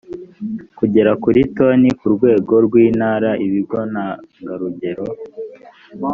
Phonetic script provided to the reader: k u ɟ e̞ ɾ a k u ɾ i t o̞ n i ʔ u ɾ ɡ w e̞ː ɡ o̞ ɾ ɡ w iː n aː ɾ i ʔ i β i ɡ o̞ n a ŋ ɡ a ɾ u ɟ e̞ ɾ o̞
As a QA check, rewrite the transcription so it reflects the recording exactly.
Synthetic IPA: k u ɟ e̞ ɾ a k u ɾ i t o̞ n i k u ɾ ɡ w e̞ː ɡ o̞ ɾ ɡ w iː n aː ɾ a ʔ i β i ɡ o̞ n a ŋ ɡ a ɾ u ɟ e̞ ɾ o̞